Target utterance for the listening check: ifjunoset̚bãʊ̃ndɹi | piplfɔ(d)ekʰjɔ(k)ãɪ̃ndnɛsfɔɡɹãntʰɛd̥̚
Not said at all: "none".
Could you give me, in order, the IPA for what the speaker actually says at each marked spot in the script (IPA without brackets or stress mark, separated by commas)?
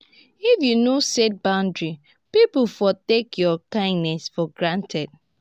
t, k